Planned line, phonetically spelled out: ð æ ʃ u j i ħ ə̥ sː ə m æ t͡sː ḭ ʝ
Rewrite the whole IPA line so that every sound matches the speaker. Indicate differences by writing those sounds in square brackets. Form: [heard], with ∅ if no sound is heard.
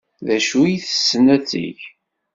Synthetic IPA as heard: ð æ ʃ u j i [θ] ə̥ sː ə [n] æ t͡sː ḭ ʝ